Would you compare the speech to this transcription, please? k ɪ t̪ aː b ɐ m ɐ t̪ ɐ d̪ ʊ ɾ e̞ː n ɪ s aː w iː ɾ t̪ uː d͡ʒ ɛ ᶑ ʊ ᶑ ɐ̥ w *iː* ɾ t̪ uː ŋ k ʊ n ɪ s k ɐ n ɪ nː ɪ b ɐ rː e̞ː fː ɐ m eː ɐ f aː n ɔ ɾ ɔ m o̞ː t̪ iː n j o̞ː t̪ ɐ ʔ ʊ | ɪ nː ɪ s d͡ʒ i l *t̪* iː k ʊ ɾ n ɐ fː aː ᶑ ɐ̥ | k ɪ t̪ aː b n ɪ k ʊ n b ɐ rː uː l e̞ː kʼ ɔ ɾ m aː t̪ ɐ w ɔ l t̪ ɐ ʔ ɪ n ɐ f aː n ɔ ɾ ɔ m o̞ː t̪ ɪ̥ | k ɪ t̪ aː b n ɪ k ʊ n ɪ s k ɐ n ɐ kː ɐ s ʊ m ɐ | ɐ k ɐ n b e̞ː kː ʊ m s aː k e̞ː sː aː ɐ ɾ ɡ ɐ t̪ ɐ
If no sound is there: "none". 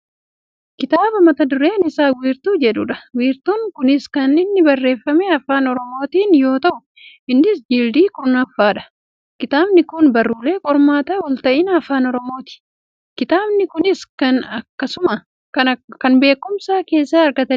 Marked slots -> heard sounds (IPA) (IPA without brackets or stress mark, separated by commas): iː, d̪